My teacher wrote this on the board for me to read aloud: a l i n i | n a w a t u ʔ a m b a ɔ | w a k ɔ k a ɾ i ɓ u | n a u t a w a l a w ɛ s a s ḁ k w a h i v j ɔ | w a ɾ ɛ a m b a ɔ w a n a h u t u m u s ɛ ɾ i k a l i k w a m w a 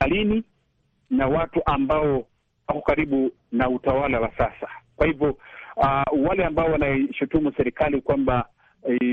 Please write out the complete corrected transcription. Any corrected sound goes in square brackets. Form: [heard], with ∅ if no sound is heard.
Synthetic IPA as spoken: a l i n i | n a w a t u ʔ a m b a ɔ | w a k ɔ k a ɾ i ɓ u | n a u t a w a l a w [a] s a s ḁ k w a h i v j ɔ | w a [l] ɛ a m b a ɔ w a n a [ʃ] u t u m u s ɛ ɾ i k a l i k w a m [b] a